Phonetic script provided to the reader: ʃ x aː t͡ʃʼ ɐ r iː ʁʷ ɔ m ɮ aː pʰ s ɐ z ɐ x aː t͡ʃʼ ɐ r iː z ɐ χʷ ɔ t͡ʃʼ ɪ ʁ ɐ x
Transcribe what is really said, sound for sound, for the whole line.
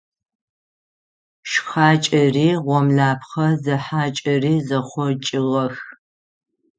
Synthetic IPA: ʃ x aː t͡ʃʼ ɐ r iː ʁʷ ɔ m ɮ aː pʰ χ ɐ z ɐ ħ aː t͡ʃʼ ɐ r iː z ɐ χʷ ɔ t͡ʃʼ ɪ ʁ ɐ x